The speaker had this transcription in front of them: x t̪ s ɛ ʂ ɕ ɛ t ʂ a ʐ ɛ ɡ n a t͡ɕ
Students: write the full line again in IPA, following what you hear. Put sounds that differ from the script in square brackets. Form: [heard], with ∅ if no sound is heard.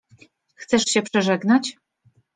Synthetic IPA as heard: x t̪ s ɛ ʂ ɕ ɛ [p] ʂ [ɛ] ʐ ɛ ɡ n a t͡ɕ